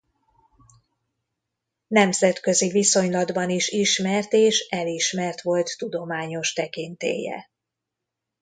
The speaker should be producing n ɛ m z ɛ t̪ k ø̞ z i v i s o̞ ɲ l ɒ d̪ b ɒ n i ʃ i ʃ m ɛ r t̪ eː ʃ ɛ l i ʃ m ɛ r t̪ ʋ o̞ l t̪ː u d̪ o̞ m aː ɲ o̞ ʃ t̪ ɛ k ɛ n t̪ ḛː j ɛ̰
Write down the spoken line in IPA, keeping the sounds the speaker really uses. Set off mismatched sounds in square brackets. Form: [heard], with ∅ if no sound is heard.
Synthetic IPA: n ɛ m z ɛ t̪ k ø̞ z i v i s o̞ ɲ l ɒ d̪ b ɒ n i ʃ i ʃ m ɛ r t̪ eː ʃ ɛ l i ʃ m ɛ r t̪ ʋ o̞ l t̪ː u d̪ o̞ m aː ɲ o̞ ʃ t̪ ɛ k [i] n t̪ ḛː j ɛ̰